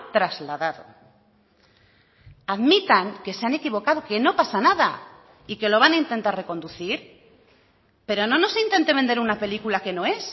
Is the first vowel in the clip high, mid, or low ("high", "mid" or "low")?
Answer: low